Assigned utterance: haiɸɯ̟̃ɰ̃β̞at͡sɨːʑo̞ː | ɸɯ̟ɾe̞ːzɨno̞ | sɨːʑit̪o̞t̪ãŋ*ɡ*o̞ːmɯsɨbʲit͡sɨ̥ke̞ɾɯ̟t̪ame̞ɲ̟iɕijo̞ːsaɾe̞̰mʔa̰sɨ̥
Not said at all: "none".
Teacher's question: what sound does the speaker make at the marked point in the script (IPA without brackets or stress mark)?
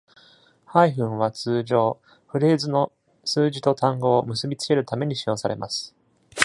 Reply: ɡ